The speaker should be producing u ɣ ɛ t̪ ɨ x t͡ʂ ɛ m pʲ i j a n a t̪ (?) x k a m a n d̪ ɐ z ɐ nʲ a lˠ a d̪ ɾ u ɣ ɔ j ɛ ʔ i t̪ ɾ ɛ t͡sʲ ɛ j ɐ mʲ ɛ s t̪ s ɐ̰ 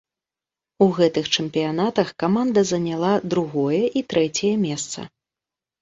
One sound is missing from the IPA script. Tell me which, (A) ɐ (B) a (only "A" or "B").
A